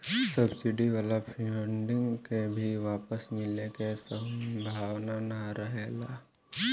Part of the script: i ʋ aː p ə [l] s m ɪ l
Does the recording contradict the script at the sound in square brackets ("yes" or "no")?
yes